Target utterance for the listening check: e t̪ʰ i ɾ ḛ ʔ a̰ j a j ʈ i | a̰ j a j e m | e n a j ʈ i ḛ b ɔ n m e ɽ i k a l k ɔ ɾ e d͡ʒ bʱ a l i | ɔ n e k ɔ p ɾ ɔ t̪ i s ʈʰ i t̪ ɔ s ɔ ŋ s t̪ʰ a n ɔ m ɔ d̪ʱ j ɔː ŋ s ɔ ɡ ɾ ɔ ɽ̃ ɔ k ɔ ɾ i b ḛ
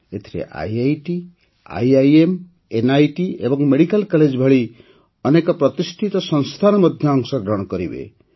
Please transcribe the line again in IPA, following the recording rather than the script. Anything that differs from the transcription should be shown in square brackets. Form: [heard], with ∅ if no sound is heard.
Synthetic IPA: e t̪ʰ i ɾ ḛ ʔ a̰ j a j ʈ i | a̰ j a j e m | e n a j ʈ i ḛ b ɔ [ŋ] m e ɽ i k a l k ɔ [l] e d͡ʒ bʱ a [ɭ] i | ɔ n e k ɔ p ɾ ɔ t̪ i s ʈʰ i t̪ ɔ s ɔ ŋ s t̪ʰ a n ɔ m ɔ d̪ʱ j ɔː ŋ s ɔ ɡ ɾ ɔ ɽ̃ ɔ k ɔ ɾ i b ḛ

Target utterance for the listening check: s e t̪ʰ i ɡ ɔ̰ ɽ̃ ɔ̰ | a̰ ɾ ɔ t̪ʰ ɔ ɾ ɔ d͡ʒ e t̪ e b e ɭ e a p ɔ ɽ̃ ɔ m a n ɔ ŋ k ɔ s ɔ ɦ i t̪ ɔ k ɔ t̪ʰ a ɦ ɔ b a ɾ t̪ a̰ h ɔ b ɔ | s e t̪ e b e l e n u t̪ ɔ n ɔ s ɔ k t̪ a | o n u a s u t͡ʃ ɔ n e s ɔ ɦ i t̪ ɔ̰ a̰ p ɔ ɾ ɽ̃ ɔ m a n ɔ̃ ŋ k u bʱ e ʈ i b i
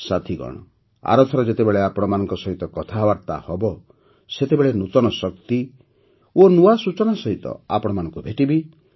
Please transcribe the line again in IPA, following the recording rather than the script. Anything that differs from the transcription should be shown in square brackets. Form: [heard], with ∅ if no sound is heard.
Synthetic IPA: s [a] t̪ʰ i ɡ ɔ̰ ɽ̃ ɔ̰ | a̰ ɾ ɔ t̪ʰ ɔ ɾ ɔ d͡ʒ e t̪ e b e ɭ e a p ɔ ɽ̃ ɔ m a n ɔ ŋ k ɔ s ɔ ɦ i t̪ ɔ k ɔ t̪ʰ a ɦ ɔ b a ɾ t̪ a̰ h ɔ b ɔ | s e t̪ e b e [ɭ] e n u t̪ ɔ n ɔ s ɔ k t̪ [i] | o n u a s u t͡ʃ ɔ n [a] s ɔ ɦ i t̪ ɔ̰ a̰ p ɔ [∅] ɽ̃ ɔ m a n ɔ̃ ŋ k u bʱ e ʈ i b i

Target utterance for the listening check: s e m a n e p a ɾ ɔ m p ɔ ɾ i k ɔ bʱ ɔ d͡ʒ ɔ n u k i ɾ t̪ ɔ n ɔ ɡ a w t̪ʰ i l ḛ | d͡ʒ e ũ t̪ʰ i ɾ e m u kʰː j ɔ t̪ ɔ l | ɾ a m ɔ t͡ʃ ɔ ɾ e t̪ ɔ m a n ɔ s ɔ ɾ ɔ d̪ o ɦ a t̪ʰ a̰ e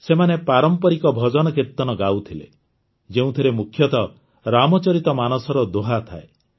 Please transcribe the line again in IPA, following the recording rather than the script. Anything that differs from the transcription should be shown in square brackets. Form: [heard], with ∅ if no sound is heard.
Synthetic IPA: s e m a n e p a ɾ ɔ m p ɔ ɾ i k ɔ bʱ ɔ d͡ʒ ɔ n [ɔ] k i ɾ t̪ ɔ n ɔ ɡ a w t̪ʰ i l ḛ | d͡ʒ e ũ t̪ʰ i ɾ e m u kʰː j ɔ t̪ ɔ [∅] | ɾ a m ɔ t͡ʃ ɔ ɾ [i] t̪ ɔ m a n ɔ s ɔ ɾ ɔ d̪ o ɦ a t̪ʰ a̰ e

